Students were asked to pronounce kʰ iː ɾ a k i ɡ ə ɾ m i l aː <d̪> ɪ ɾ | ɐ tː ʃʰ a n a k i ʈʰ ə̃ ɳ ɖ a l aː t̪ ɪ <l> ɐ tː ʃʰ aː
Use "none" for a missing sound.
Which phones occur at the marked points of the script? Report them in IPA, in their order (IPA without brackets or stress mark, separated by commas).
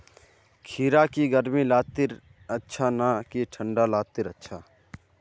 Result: t̪, ɾ